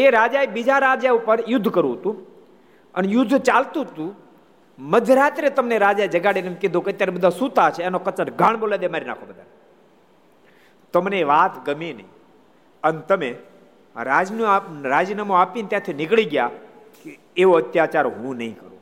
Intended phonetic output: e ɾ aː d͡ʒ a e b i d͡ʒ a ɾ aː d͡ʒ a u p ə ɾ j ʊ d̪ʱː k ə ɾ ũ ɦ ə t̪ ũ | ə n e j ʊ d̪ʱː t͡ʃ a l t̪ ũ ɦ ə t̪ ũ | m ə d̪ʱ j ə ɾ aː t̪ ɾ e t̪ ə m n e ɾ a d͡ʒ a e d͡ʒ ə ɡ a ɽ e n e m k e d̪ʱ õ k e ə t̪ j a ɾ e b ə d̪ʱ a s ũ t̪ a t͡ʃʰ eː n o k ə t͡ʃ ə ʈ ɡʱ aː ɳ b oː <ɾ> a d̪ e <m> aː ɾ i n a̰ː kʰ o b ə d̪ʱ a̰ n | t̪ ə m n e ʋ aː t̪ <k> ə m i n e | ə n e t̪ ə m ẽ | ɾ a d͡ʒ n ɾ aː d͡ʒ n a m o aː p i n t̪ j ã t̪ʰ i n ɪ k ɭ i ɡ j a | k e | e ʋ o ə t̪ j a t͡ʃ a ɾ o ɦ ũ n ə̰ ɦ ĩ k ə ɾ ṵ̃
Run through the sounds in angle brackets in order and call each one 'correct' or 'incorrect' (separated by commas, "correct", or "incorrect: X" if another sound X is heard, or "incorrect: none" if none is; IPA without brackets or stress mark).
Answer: incorrect: l, correct, incorrect: ɡ